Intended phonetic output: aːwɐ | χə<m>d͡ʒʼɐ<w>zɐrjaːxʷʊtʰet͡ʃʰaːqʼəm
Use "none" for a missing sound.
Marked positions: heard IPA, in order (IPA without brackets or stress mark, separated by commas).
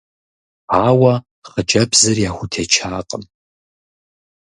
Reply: none, b